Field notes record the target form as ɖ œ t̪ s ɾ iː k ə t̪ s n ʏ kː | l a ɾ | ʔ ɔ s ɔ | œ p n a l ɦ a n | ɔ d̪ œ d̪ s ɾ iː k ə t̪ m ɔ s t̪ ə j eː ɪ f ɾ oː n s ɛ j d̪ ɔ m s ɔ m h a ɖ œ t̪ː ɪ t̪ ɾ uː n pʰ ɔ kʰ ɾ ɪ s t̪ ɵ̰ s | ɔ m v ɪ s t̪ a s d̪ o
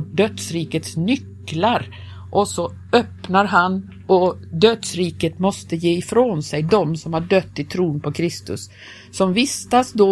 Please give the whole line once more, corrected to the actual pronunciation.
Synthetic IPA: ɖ œ t̪ s ɾ iː k ə t̪ s n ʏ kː | l a ɾ | ʔ ɔ s ɔ | œ p n a ɾ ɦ a n | ɔ d̪ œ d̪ s ɾ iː k ə t̪ m ɔ s t̪ ə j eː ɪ f ɾ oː n s ɛ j d̪ ɔ m s ɔ m h a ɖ œ t̪ː ɪ t̪ʰ ɾ uː n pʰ ɔ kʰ ɾ ɪ s t̪ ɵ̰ sː | ɔ m v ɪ s t̪ a s d̪ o